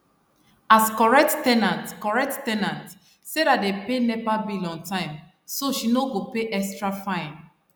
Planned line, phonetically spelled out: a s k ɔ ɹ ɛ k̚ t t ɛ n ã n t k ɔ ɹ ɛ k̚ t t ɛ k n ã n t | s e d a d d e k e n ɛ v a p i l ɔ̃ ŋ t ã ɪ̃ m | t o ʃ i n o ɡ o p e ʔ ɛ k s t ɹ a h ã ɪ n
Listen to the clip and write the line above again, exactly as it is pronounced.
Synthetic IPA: a s k ɔ ɹ ɛ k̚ t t ɛ n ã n t k ɔ ɹ ɛ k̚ t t ɛ n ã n t | s e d a t d e p e n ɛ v a b i l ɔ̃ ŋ t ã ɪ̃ m | s o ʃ i n o ɡ o p e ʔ ɛ k s t ɹ a f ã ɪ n